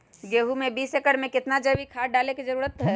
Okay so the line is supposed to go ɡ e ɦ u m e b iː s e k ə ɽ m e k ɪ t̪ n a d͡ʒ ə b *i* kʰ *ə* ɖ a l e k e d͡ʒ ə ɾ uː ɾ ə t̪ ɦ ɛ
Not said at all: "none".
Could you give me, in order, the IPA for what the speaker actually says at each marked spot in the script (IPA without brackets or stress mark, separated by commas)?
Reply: i, a